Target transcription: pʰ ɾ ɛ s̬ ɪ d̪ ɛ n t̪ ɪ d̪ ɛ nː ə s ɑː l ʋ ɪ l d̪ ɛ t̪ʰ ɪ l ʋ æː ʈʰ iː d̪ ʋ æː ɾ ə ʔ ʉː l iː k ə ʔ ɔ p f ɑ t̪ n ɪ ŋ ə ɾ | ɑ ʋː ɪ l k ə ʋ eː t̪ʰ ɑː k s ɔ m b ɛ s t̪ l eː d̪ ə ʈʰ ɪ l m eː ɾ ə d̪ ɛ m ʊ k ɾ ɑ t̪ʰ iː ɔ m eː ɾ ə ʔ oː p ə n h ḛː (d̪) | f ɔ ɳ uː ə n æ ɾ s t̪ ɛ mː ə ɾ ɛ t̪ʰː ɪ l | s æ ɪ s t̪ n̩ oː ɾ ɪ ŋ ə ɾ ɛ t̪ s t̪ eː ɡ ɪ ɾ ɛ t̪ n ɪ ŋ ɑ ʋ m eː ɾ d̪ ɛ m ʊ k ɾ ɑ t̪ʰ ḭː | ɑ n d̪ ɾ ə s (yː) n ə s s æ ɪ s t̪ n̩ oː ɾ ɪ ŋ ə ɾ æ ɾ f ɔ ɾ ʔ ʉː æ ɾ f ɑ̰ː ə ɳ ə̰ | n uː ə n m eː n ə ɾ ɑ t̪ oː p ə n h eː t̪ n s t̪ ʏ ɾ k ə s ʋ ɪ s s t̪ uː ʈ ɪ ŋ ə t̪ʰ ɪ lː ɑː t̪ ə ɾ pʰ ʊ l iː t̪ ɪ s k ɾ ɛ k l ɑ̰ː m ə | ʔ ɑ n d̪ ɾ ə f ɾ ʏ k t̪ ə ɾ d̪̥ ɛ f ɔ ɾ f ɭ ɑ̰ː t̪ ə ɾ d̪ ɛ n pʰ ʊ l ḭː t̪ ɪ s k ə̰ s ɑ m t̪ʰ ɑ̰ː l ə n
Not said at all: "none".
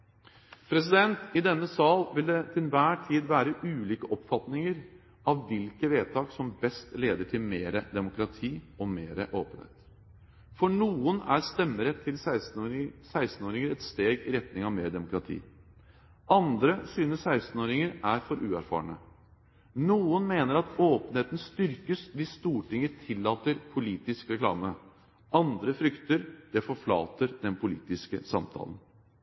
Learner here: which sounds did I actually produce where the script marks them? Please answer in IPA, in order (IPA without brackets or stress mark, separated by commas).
t̪, yː